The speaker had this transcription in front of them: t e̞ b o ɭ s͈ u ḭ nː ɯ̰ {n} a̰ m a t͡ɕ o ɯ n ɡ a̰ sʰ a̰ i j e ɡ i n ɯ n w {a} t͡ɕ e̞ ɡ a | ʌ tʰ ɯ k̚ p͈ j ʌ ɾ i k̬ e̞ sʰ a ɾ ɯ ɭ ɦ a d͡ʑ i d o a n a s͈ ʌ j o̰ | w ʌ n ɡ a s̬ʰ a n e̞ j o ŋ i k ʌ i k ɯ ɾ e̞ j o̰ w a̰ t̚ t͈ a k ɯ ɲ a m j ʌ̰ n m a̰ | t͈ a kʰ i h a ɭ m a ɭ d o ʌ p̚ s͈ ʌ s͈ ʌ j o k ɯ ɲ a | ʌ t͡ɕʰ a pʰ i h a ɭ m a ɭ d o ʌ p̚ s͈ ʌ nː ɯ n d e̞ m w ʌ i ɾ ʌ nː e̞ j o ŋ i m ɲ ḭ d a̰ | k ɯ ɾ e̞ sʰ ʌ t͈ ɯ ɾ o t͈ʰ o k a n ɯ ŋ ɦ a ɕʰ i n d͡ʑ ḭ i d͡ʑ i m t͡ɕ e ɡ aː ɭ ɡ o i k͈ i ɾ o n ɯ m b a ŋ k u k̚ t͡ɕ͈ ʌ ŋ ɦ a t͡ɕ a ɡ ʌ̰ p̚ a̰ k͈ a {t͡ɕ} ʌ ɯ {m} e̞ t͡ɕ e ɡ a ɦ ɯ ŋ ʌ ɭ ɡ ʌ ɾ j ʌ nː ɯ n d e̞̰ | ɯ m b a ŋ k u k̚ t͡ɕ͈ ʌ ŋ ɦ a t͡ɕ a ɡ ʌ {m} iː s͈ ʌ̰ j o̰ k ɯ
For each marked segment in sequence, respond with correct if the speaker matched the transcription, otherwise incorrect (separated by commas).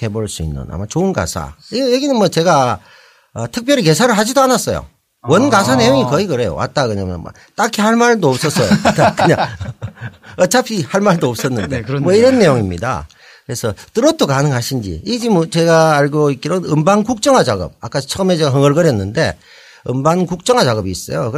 correct, incorrect, incorrect, correct, incorrect